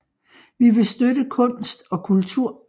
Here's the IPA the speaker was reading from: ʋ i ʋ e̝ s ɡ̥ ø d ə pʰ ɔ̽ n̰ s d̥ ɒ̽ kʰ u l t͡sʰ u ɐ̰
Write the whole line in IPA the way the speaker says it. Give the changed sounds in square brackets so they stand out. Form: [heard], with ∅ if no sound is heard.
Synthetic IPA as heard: ʋ i ʋ e̝ s [d̥] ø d ə [kʰ] ɔ̽ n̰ s d̥ ɒ̽ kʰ u l t͡sʰ u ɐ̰